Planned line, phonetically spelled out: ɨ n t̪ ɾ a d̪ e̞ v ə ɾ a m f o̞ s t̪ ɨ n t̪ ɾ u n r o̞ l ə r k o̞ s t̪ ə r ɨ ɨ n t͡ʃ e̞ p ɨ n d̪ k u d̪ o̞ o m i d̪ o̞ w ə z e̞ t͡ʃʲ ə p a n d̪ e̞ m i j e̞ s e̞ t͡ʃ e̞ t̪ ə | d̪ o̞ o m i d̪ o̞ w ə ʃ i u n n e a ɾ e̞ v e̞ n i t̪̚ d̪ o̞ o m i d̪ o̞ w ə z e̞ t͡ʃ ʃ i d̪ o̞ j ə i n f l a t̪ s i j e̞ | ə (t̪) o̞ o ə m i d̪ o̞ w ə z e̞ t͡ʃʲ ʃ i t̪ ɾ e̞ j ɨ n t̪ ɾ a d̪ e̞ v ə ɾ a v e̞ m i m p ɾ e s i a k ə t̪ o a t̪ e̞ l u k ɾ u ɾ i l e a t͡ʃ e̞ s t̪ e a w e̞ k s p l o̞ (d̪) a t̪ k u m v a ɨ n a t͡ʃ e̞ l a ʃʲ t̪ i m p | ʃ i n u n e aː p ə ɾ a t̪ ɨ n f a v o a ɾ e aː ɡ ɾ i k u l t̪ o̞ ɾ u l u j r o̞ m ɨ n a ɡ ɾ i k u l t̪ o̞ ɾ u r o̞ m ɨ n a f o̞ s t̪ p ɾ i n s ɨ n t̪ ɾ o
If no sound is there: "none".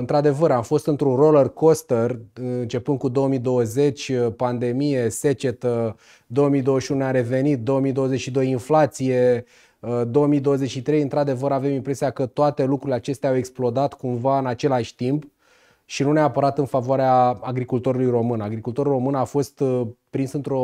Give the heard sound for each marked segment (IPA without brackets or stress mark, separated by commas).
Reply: d̪, d̪